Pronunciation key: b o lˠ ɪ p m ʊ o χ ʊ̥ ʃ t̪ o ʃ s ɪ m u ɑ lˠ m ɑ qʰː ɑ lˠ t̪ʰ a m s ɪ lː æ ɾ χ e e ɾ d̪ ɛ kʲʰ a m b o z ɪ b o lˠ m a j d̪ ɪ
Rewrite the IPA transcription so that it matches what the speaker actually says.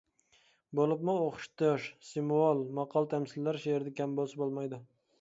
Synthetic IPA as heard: b o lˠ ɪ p m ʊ o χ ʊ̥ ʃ t̪ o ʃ s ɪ m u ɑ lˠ m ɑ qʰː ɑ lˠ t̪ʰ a m s ɪ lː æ ɾ ʃ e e ɾ d̪ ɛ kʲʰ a m b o s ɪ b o lˠ m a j d̪ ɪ